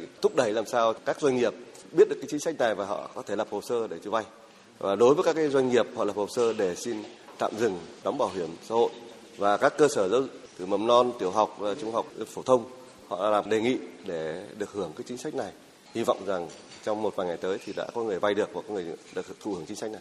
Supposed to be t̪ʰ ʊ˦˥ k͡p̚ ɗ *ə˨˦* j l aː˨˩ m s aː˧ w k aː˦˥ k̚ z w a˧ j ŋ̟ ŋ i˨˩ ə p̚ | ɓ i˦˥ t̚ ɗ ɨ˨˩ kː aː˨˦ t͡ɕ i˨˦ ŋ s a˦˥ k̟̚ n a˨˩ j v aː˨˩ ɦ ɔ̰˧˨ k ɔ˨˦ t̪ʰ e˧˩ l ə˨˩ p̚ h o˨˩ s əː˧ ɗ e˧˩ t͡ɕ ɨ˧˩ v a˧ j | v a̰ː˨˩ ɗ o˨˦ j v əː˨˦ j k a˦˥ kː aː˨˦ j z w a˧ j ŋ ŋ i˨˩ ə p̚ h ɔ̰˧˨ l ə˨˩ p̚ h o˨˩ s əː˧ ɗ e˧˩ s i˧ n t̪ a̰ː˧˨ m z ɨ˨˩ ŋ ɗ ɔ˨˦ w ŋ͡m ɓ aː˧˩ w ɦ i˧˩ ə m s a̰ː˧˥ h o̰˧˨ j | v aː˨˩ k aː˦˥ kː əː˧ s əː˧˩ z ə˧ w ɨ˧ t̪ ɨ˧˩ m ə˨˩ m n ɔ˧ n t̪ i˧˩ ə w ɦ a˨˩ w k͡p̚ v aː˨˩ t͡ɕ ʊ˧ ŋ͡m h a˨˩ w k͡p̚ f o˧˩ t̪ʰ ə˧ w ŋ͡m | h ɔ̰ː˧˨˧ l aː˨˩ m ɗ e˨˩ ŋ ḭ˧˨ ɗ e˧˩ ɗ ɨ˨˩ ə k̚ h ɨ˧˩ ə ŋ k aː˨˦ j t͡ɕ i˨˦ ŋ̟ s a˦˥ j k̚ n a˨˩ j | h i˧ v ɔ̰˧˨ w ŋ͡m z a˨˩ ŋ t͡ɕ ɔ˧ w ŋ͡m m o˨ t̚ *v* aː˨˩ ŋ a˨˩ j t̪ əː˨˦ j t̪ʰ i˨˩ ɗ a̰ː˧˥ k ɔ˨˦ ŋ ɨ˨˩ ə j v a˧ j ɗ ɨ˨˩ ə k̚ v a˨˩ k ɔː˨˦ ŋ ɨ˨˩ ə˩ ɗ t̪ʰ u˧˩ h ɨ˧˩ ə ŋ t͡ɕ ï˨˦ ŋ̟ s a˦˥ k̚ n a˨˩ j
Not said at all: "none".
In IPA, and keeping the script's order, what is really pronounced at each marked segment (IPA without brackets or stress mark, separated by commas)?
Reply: ə˧˩, v